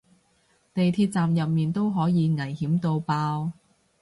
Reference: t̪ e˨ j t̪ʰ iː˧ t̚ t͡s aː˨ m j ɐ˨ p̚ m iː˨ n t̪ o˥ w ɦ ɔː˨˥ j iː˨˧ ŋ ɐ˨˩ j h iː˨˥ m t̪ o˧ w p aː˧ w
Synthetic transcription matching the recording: t̪ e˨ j t̪ʰ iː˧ t̚ t͡s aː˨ m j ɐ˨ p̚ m iː˨ n t̪ o˥ w ɦ ɔː˨˥ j iː˨˧ ŋ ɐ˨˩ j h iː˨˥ m t̪ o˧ w p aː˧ w